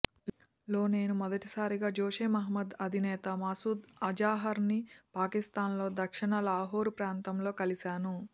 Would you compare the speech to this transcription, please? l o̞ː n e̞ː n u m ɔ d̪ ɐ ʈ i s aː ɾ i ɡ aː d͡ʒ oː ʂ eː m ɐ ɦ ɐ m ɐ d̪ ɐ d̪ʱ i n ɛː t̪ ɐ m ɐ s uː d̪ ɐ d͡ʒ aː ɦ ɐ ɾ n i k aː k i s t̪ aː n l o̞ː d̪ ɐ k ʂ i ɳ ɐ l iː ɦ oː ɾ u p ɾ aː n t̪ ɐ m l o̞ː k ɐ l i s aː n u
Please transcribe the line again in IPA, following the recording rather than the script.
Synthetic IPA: l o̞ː n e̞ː n u m ɔ d̪ ɐ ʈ i s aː ɾ i ɡ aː d͡ʒ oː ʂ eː m ɐ ɦ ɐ m ɐ d̪ ɐ d̪ʱ i n ɛː t̪ ɐ m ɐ s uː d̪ ɐ d͡ʒ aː ɦ ɐ ɾ n i p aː k i s t̪ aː n l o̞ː d̪ ɐ k ʂ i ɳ ɐ l aː ɦ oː ɾ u p ɾ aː n t̪ ɐ m l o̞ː k ɐ l i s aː n u